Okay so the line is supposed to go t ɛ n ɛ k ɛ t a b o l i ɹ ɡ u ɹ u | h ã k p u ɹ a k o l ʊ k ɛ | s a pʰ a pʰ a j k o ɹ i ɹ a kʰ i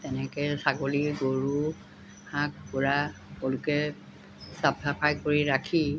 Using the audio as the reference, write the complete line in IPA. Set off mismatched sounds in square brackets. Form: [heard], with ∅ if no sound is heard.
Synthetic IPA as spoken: t ɛ n ɛ k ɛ [s] a [ɡ] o l i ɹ ɡ [o] ɹ u | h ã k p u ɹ a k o l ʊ k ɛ | s a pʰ a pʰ a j k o ɹ i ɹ a kʰ i